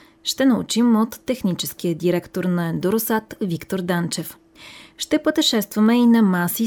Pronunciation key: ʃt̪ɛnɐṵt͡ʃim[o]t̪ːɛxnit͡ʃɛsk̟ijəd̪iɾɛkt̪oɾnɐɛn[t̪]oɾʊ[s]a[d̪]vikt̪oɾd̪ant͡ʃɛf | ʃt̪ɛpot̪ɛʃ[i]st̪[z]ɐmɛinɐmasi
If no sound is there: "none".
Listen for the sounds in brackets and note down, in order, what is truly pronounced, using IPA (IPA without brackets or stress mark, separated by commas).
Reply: o, d̪, s, t̪, ɛ, v